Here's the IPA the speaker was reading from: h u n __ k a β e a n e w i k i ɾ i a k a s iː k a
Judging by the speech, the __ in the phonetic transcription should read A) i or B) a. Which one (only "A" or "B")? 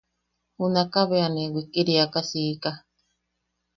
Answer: B